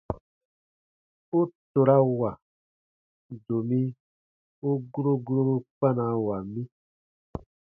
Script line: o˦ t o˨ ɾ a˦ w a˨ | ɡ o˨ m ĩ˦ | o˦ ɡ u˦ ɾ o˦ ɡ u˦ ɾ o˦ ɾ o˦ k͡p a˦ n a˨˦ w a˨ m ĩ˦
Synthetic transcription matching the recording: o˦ t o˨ ɾ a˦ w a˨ | d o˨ m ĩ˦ | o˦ ɡ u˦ ɾ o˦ ɡ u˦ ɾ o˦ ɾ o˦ k͡p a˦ n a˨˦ w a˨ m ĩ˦